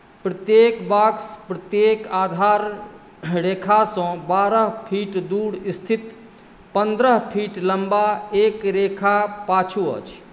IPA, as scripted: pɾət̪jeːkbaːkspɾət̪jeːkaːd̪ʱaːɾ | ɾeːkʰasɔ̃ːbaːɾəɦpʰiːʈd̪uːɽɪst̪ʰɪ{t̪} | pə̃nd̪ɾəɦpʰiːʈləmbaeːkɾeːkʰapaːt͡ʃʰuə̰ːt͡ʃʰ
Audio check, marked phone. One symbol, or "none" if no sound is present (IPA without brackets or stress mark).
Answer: t̪